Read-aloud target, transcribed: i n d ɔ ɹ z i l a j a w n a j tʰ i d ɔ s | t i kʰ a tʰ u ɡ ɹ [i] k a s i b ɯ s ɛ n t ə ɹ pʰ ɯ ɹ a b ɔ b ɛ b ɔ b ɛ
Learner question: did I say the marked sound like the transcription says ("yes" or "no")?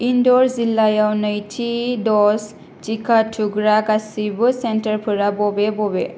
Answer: no